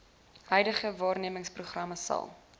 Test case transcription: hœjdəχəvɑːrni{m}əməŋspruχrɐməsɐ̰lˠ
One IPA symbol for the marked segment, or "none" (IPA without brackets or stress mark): none